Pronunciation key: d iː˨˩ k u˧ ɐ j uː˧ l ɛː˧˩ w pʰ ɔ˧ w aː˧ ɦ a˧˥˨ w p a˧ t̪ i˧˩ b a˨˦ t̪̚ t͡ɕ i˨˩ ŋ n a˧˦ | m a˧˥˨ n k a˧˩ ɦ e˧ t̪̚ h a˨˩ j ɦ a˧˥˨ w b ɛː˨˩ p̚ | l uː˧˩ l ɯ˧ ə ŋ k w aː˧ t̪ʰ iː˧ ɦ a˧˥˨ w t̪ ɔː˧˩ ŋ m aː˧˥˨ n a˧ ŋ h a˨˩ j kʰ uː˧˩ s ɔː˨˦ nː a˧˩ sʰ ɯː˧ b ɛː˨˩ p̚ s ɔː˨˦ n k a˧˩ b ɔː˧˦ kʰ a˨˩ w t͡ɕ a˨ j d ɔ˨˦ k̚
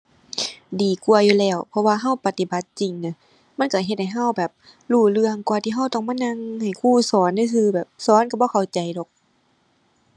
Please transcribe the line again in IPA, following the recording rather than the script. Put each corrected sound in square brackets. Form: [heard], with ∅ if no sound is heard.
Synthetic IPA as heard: d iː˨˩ k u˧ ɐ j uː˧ l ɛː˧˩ w pʰ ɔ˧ w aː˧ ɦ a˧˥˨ w p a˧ t̪ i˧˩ b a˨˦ t̪̚ t͡ɕ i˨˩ ŋ n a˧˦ | m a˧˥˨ n k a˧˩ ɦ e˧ t̪̚ h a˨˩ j ɦ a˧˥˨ w b ɛː˨˩ p̚ | l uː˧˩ l ɯ˧ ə ŋ k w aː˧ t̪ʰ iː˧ ɦ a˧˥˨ w t̪ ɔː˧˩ ŋ m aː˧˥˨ n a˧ ŋ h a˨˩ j kʰ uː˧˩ s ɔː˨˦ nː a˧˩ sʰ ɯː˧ b ɛː˨˩ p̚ s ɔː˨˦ n k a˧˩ b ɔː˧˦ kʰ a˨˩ w t͡ɕ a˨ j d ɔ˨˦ k̚